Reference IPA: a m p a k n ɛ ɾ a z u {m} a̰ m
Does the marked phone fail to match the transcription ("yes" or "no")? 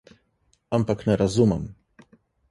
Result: no